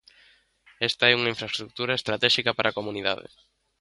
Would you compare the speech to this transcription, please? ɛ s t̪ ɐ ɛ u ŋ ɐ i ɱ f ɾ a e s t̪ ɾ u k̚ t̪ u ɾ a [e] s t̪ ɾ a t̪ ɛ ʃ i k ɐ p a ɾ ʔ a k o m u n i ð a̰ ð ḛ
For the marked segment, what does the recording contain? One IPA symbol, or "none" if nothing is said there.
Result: e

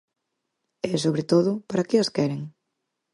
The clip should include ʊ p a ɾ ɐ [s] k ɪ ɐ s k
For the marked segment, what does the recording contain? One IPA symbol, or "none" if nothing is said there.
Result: none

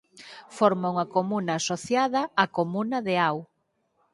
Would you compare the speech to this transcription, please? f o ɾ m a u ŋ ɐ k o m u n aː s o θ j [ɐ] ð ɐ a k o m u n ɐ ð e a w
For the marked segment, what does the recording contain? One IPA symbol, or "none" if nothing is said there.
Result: a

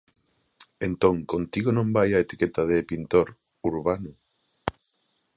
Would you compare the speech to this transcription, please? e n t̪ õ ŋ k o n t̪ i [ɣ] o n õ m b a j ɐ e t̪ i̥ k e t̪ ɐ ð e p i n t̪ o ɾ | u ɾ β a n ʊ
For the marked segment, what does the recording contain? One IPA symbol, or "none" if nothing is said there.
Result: ɣ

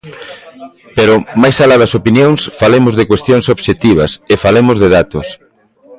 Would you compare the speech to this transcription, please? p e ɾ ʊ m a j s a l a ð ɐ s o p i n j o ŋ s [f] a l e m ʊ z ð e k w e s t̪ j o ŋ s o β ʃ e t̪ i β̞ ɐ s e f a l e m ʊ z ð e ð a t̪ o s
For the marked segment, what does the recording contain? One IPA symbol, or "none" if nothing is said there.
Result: f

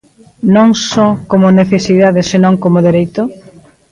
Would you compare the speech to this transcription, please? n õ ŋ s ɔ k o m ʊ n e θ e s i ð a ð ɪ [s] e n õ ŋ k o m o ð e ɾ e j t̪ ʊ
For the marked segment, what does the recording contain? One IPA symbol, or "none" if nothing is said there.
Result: s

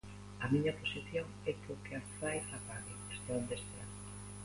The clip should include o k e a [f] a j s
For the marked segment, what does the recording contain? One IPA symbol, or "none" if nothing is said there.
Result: f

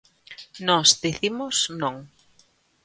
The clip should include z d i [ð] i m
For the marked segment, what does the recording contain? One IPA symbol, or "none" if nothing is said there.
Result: θ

